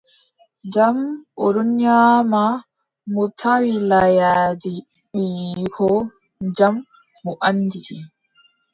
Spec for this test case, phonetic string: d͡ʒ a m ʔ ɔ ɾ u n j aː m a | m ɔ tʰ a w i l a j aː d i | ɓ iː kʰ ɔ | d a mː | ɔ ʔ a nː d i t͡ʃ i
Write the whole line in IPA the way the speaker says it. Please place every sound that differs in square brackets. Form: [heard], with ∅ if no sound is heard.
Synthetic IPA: d͡ʒ a m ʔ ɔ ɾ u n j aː m a | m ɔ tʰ a w i l a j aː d i | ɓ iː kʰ ɔ | [d͡ʒ] a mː | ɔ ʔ a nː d i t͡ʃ i